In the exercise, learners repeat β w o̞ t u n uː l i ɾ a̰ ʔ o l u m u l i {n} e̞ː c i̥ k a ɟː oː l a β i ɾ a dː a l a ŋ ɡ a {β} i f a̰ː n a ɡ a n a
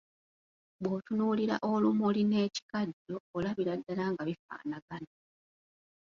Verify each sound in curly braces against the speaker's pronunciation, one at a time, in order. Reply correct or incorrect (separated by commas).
correct, correct